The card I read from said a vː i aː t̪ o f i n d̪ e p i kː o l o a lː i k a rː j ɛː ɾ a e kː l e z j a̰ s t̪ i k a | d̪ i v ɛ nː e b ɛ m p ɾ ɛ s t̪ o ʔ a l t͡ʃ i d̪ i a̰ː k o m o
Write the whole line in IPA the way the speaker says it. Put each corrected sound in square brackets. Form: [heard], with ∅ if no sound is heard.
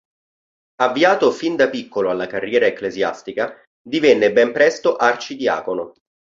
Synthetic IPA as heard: a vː i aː t̪ o f i n d̪ [a] p i kː o l o a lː [a] k a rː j ɛː ɾ a e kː l e z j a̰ s t̪ i k a | d̪ i v ɛ nː e b ɛ m p ɾ ɛ s t̪ o ʔ a [r] t͡ʃ i d̪ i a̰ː k o [n] o